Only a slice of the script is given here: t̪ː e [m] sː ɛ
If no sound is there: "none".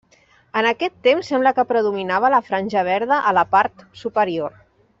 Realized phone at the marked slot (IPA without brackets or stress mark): m